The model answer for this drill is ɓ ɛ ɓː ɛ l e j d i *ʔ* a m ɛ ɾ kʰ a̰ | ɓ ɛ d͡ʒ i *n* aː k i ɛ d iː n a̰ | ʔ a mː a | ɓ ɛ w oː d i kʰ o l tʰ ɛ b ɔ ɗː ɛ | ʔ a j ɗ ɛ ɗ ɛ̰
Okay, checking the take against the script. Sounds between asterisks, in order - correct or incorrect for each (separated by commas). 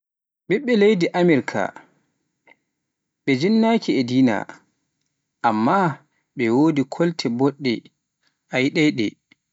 correct, incorrect